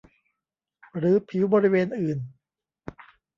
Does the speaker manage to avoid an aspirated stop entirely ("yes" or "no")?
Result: no